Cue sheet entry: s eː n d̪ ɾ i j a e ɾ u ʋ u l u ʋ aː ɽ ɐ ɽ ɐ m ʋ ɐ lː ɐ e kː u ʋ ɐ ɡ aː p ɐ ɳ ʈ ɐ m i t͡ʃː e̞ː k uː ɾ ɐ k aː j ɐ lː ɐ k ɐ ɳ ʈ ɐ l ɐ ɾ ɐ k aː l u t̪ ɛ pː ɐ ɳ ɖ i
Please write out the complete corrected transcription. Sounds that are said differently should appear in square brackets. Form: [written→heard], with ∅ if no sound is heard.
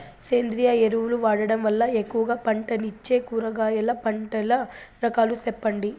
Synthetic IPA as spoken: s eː n d̪ ɾ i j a e ɾ u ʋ u l u ʋ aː ɽ ɐ ɽ ɐ m ʋ ɐ lː ɐ e kː u ʋ ɐ ɡ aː p ɐ ɳ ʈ ɐ [m→n] i t͡ʃː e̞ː k uː ɾ ɐ [k→ɡ] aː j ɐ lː ɐ [k→p] ɐ ɳ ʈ ɐ l ɐ ɾ ɐ k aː l u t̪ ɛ pː ɐ ɳ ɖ i